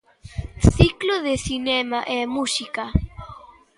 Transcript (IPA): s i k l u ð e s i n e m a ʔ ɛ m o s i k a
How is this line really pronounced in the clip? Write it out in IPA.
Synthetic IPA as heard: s i k l o ð e s i n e m a ʔ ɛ m u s i k a

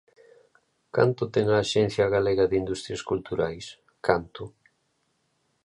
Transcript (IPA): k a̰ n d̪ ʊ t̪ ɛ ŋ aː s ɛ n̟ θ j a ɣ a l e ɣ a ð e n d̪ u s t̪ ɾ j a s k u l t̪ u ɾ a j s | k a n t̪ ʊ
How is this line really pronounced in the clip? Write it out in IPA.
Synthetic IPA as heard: k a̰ n t̪ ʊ t̪ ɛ ŋ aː ʃ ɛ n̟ θ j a ɣ a l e ɣ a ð i n d̪ u s t̪ ɾ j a s k u l t̪ u ɾ a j s | k a n t̪ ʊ

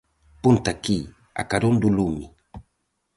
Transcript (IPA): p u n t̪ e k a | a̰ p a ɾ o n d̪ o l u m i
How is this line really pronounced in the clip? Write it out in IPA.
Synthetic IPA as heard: p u n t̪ a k i | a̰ k a ɾ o n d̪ u l u m i

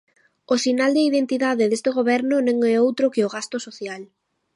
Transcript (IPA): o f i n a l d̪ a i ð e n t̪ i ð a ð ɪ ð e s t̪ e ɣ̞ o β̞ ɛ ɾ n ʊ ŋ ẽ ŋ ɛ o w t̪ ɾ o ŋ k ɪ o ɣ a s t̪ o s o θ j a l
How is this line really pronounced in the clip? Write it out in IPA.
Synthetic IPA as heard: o s i n a l d̪ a i ð e n t̪ i ð a ð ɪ ð e s t̪ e ɣ̞ o β̞ ɛ ɾ n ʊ n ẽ ŋ ɛ o w t̪ ɾ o k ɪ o ɣ a s t̪ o s o θ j a l

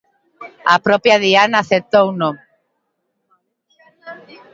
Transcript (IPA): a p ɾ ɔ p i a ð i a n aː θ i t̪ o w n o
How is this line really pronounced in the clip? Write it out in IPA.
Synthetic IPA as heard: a p ɾ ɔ p j a ð i a n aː θ e t̪ o w n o

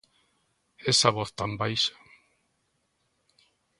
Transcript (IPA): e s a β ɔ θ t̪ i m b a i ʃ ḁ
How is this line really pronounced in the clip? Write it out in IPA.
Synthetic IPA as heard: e s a β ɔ θ t̪ a m b a j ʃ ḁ

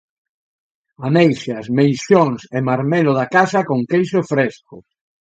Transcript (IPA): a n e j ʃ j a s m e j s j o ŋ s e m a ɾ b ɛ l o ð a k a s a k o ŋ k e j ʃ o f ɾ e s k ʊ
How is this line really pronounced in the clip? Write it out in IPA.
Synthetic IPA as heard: a n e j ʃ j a s m e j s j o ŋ s e m a ɾ m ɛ l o ð a k a s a k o ŋ k e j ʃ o f ɾ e s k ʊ

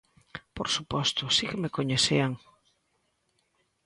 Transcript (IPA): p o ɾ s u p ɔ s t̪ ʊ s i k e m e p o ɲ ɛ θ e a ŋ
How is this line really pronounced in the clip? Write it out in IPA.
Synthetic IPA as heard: p o ɾ s u p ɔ s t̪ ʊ s i k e m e k o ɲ e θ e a ŋ

